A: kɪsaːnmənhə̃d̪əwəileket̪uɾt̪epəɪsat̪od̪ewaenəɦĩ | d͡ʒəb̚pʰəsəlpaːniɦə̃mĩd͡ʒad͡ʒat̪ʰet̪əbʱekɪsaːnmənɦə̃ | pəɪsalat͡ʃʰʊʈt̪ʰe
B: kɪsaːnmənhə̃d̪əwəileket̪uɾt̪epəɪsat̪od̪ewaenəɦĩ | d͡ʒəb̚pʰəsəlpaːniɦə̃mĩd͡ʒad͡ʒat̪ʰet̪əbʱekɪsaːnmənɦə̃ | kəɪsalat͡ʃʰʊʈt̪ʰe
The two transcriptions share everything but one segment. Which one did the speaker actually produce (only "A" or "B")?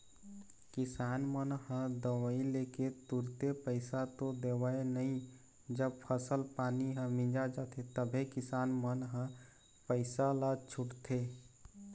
A